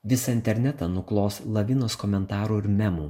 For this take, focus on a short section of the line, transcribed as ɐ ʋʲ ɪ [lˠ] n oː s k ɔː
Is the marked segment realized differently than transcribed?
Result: yes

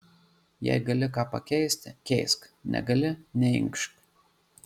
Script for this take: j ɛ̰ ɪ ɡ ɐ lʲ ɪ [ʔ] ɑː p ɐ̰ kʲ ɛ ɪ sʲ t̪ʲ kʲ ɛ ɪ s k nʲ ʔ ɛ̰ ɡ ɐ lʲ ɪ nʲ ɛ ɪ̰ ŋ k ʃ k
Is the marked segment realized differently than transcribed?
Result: yes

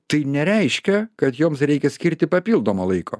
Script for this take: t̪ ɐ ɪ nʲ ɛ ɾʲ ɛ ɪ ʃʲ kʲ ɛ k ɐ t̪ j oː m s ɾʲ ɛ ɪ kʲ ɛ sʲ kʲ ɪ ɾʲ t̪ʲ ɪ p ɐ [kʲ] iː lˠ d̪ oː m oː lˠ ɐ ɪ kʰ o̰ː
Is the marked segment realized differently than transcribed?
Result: yes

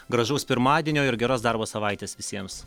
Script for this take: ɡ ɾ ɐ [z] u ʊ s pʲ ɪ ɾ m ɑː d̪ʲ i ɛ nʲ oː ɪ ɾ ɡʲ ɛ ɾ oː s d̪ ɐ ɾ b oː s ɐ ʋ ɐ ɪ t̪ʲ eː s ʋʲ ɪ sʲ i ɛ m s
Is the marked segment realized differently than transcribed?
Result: yes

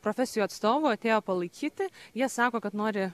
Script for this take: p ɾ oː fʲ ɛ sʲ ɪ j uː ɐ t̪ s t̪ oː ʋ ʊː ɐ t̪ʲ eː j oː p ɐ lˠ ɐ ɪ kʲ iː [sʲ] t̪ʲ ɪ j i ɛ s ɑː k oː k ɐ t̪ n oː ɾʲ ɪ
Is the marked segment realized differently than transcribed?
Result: yes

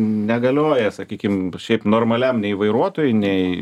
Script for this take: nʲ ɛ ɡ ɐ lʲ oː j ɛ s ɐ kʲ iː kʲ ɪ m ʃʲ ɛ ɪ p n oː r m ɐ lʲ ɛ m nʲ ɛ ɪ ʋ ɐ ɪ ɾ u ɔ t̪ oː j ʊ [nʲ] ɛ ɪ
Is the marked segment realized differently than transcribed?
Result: no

